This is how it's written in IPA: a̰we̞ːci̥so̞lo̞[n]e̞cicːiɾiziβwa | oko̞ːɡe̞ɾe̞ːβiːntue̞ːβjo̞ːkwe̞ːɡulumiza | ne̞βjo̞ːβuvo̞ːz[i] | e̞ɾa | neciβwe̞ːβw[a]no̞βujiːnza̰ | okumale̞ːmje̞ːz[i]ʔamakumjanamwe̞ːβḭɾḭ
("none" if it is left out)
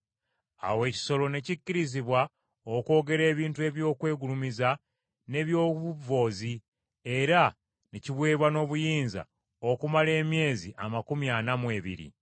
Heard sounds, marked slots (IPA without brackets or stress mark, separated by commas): n, i, a, i